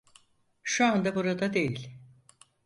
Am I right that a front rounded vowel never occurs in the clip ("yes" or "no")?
yes